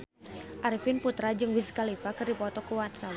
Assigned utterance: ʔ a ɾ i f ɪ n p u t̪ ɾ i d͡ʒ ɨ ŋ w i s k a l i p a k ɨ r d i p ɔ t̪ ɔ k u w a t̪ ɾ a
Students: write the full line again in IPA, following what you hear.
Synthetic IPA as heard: ʔ a ɾ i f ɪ n p u t̪ ɾ a d͡ʒ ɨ ŋ w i s k a l i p a k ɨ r d i p ɔ t̪ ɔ k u w a t̪ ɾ a